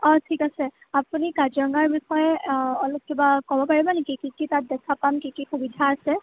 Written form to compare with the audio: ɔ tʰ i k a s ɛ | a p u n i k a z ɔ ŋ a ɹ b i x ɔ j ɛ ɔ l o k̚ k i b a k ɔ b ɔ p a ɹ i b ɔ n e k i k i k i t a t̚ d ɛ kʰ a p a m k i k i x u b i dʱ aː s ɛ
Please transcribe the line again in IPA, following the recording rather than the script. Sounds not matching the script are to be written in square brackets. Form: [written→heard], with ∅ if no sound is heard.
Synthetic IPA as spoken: ɔ tʰ i k a s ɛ | a p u n i k a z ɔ ŋ a ɹ b i x ɔ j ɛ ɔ l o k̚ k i b a k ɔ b ɔ p a ɹ i b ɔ n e k i k i k i t a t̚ d ɛ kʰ a p a m k i k i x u b i dʱ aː s ɛ